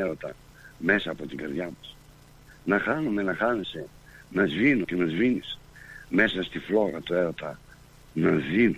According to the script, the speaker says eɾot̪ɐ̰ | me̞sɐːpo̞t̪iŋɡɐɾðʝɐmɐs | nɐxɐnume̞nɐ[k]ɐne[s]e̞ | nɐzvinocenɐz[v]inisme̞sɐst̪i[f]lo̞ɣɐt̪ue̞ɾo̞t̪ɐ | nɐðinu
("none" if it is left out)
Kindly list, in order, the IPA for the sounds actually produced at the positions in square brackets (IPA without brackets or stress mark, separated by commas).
x, s, v, f